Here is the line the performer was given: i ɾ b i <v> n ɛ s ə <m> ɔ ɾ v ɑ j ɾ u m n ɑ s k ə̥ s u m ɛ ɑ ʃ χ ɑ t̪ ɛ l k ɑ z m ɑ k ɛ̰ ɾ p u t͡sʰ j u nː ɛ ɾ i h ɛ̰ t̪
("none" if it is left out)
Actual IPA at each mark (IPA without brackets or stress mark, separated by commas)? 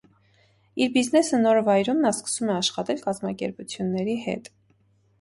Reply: z, n